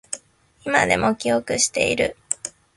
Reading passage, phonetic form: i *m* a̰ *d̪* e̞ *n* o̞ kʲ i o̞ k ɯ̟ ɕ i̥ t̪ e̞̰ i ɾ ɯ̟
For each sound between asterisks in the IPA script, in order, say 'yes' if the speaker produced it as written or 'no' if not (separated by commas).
yes, yes, no